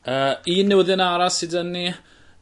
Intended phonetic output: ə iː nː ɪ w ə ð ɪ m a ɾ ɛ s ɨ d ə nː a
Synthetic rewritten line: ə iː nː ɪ w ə ð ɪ n a ɾ a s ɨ d ə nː i